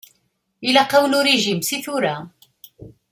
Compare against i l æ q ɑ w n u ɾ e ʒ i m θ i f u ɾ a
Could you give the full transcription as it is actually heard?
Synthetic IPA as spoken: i l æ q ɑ w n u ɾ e ʒ i m s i θ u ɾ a